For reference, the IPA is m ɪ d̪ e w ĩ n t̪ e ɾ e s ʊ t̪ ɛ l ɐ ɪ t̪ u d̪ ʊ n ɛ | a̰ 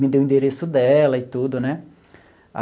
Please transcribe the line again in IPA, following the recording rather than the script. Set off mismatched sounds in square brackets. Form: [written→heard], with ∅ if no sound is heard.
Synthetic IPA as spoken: m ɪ d̪ e w ĩ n [t̪→d̪] e ɾ e s ʊ [t̪→d̪] ɛ l ɐ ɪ t̪ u d̪ ʊ n ɛ | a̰